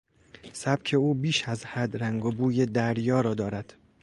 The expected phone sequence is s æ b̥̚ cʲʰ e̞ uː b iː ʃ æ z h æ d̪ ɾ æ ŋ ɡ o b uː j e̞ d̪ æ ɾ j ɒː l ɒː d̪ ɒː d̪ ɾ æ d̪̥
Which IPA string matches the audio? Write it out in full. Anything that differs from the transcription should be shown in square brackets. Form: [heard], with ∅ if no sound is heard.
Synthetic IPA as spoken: s æ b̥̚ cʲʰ e̞ uː b iː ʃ æ z h æ d̪ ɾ æ ŋ ɡ o b uː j e̞ d̪ æ ɾ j ɒː [ɾ] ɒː d̪ ɒː [∅] ɾ æ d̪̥